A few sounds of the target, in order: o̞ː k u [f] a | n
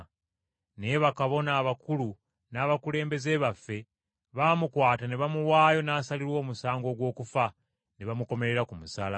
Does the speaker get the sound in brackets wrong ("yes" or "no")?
no